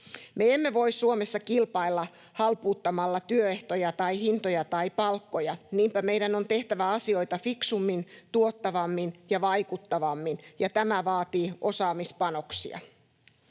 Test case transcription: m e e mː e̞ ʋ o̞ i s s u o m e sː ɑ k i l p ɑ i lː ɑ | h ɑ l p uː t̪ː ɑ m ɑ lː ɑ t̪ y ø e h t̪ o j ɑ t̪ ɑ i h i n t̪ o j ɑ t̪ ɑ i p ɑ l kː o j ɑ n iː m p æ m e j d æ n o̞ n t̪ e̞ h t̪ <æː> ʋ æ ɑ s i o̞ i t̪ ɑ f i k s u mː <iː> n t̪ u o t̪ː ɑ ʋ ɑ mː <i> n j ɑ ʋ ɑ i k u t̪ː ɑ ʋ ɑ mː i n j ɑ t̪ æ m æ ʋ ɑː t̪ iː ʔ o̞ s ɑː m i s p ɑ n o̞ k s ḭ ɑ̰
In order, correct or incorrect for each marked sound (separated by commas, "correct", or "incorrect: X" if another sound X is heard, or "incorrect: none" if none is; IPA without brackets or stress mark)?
incorrect: æ, incorrect: i, correct